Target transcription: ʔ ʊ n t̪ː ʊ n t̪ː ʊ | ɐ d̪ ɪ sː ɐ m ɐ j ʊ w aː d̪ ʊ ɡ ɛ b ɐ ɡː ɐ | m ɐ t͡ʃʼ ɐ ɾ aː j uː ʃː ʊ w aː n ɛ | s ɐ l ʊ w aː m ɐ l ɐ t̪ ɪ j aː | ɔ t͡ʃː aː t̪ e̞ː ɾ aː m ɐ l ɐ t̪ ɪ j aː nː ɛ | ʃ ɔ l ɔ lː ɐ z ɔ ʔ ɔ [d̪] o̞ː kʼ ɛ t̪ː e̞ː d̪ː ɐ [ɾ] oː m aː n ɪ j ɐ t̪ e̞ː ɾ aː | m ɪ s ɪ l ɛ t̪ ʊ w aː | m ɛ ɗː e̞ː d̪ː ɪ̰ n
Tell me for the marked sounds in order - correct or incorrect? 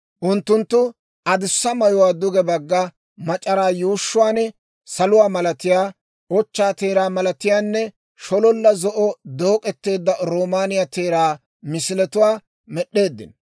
correct, correct

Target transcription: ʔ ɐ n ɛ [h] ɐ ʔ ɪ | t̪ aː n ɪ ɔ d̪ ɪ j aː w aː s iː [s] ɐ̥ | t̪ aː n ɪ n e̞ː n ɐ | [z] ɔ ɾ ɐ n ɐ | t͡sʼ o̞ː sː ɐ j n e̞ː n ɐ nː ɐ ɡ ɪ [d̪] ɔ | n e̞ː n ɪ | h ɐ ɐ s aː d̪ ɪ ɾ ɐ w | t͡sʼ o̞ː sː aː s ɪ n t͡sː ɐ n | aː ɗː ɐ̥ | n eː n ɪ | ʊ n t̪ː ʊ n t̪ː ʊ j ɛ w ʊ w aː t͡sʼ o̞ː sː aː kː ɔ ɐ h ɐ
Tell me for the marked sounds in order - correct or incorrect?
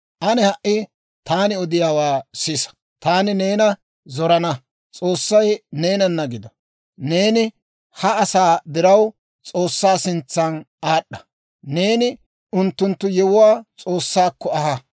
correct, correct, correct, correct

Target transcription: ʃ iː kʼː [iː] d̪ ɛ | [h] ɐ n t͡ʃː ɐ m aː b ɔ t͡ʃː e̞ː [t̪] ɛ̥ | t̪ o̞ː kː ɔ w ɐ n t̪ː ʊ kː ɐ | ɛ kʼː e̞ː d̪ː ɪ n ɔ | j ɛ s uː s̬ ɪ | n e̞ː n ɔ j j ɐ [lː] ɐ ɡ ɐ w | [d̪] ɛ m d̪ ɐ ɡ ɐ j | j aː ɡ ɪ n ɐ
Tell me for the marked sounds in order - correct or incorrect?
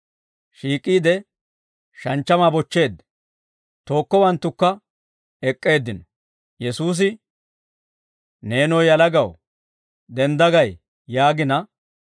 correct, incorrect, incorrect, incorrect, correct

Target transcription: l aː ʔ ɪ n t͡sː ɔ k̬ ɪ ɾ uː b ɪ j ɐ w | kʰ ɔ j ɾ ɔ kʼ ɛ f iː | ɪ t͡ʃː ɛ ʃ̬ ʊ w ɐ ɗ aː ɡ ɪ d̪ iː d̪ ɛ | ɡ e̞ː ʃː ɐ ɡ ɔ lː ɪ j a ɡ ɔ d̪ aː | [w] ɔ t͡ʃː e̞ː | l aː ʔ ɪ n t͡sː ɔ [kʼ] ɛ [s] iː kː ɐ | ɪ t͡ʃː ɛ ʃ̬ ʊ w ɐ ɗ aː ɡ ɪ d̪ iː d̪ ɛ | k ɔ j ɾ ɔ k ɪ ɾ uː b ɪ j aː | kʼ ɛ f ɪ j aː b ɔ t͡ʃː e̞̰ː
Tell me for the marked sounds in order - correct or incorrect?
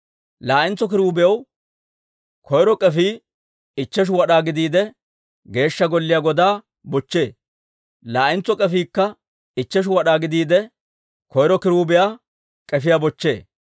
incorrect, correct, incorrect

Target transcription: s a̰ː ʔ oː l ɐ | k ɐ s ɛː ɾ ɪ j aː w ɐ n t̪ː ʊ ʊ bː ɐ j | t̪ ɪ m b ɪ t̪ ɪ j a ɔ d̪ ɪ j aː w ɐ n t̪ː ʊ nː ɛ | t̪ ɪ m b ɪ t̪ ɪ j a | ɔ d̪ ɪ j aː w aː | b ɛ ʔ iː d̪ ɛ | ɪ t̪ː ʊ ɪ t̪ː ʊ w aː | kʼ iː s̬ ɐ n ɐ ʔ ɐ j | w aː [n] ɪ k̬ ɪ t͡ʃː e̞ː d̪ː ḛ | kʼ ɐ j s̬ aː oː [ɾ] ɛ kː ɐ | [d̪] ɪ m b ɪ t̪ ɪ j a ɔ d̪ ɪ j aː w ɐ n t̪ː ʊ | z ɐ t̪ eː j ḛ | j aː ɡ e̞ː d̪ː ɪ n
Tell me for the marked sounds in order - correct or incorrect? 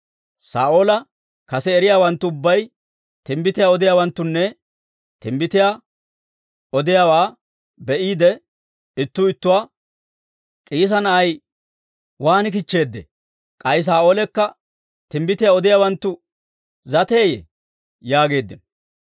correct, incorrect, incorrect

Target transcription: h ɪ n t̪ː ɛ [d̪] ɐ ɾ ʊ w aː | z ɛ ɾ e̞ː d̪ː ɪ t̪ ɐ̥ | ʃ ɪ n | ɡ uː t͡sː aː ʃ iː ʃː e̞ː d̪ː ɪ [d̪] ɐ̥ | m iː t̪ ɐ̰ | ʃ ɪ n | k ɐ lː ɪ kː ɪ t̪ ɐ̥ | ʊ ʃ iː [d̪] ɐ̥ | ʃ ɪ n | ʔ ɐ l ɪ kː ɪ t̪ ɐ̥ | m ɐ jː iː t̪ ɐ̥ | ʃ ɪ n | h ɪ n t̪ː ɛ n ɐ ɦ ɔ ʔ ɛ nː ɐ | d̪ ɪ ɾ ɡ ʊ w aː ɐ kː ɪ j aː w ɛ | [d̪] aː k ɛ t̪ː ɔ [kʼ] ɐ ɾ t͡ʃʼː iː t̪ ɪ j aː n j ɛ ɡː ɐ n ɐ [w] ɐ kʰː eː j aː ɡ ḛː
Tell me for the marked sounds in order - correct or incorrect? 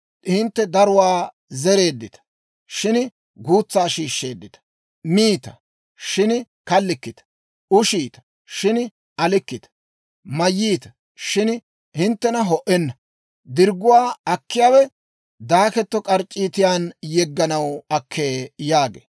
correct, incorrect, incorrect, correct, correct, correct

